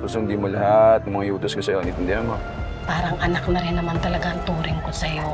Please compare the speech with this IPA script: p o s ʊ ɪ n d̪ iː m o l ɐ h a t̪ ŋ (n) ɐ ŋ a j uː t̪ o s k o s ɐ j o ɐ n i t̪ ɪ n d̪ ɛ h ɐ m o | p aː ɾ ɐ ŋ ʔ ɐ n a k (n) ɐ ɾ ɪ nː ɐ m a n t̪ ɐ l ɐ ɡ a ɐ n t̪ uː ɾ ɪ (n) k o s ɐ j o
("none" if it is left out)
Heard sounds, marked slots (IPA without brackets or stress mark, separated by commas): m, n, ŋ